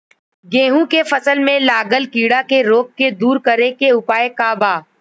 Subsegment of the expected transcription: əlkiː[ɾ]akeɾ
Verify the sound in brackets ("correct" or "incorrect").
incorrect